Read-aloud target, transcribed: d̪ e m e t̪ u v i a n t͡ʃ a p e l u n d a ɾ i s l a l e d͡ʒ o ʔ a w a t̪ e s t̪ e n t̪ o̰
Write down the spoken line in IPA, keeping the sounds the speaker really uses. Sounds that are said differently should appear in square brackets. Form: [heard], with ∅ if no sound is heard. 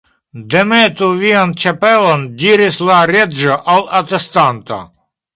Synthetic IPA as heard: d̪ e m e t̪ u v i a n t͡ʃ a p e l [o] n d [i] ɾ i s l a [ɾ] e d͡ʒ o ʔ a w a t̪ e s t̪ [a] n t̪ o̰